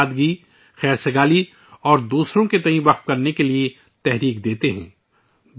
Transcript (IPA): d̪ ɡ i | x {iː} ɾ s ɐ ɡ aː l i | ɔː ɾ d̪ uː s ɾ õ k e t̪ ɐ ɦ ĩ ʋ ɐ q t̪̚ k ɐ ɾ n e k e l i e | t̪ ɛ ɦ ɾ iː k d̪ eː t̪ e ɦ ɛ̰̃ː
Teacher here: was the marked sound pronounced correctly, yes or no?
no